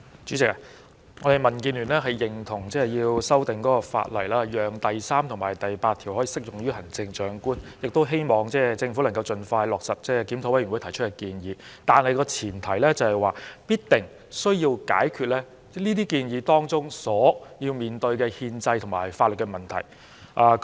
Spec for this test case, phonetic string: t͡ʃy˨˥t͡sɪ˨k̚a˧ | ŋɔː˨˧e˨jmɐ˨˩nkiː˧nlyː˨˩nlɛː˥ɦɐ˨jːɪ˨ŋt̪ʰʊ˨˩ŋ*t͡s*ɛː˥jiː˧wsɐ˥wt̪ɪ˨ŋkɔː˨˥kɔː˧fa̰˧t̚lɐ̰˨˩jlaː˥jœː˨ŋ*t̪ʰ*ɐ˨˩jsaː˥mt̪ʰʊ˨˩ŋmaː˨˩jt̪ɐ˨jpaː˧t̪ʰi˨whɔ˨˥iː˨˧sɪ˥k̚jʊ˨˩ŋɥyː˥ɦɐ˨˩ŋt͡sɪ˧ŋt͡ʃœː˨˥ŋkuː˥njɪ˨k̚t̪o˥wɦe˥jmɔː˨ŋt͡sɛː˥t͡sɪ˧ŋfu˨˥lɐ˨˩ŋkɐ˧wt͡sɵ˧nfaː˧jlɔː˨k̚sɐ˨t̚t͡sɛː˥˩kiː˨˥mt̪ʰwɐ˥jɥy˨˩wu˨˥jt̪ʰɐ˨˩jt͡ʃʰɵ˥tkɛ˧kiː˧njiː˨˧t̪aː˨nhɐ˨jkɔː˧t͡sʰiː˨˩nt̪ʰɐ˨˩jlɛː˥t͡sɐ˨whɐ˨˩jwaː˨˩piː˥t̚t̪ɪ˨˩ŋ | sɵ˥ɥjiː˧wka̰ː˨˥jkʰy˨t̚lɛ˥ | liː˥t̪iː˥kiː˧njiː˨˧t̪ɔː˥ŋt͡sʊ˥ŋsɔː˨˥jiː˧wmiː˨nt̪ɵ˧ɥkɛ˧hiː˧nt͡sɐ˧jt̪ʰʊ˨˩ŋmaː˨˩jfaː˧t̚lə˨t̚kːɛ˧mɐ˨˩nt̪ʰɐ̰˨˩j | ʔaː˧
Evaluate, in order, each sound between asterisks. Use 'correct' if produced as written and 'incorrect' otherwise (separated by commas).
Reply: correct, incorrect